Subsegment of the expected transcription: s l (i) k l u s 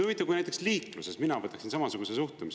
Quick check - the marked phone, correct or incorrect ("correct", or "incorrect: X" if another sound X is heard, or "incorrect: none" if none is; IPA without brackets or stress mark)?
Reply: incorrect: iː